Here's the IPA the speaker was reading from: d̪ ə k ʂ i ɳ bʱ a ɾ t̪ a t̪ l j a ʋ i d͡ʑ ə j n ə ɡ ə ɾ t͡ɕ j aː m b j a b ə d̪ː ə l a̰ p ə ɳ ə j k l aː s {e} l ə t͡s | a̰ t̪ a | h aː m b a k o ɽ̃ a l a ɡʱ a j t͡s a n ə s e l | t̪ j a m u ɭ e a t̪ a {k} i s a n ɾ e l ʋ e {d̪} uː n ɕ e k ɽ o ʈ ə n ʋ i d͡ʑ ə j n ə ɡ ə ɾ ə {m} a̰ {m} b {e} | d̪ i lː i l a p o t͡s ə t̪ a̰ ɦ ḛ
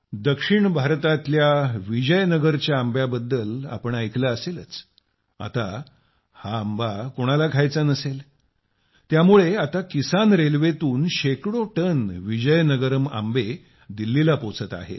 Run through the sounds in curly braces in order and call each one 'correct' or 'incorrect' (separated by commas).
correct, correct, incorrect, correct, correct, correct